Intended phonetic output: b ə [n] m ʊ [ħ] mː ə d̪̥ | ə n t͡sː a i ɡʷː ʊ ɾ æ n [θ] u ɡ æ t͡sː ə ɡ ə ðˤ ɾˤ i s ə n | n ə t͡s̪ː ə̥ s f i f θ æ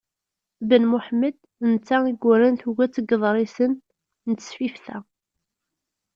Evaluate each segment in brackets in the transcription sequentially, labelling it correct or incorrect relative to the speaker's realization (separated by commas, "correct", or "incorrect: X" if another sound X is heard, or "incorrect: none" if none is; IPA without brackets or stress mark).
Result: correct, correct, correct